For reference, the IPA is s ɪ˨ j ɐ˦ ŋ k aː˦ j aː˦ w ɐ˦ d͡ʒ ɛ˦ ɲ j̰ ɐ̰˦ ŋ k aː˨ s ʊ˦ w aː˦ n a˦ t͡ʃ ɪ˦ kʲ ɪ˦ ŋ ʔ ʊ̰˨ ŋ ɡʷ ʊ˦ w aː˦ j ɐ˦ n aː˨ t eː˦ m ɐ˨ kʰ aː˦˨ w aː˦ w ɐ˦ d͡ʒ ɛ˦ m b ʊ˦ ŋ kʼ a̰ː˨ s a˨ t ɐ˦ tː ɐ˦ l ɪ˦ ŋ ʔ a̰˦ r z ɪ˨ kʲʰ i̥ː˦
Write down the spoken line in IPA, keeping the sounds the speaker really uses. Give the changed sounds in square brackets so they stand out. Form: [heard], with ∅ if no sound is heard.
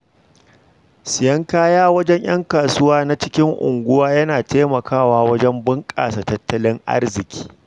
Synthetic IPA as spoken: s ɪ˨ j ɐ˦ ŋ k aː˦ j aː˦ w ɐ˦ d͡ʒ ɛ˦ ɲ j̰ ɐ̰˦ ŋ k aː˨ s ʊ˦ w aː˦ n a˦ t͡ʃ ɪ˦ kʲ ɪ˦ ŋ ʔ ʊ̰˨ ŋ ɡʷ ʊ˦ w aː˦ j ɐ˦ n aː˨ t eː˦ m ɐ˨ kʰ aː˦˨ w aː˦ w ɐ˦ d͡ʒ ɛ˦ m b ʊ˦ ŋ kʼ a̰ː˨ s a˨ t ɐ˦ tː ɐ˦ l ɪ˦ ŋ ʔ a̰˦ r z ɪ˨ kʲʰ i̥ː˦

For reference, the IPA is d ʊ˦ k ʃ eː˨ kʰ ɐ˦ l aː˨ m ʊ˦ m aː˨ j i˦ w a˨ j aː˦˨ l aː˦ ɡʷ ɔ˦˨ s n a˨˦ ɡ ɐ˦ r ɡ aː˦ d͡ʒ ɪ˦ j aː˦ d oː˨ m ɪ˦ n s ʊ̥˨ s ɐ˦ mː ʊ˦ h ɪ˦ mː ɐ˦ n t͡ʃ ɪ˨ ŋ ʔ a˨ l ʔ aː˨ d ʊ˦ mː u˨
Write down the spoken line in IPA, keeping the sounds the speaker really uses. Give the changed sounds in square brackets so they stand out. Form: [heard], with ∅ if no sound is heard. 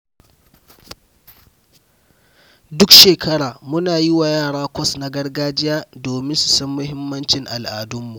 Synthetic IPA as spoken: d ʊ˦ k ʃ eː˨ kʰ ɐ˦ [ɽ] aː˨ m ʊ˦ [n] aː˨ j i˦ w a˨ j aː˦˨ [ɽ] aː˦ [kʷ] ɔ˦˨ s n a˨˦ ɡ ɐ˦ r ɡ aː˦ d͡ʒ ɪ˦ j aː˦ d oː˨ m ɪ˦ n s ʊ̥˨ s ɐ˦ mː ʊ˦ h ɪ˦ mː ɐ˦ n t͡ʃ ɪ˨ ŋ ʔ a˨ l ʔ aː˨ d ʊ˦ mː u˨

